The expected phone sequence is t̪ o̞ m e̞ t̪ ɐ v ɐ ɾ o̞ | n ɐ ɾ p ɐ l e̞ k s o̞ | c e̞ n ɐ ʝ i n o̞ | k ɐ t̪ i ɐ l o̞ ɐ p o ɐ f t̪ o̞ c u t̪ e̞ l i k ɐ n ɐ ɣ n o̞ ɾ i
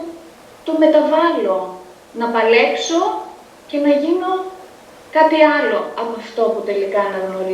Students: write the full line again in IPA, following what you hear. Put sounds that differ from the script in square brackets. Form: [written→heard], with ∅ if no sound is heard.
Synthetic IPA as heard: t̪ o̞ m e̞ t̪ ɐ v ɐ [ɾ→l] o̞ | n ɐ [ɾ→∅] p ɐ l e̞ k s o̞ | c e̞ n ɐ ʝ i n o̞ | k ɐ t̪ i ɐ l o̞ ɐ p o ɐ f t̪ o̞ [c→p] u t̪ e̞ l i k ɐ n ɐ ɣ n o̞ ɾ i